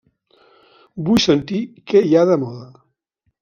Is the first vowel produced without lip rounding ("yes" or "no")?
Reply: no